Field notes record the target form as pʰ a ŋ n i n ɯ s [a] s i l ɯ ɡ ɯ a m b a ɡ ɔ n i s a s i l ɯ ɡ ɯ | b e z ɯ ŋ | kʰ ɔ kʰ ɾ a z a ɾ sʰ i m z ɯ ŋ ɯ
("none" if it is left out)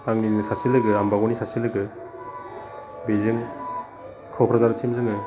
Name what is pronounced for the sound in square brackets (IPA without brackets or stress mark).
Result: a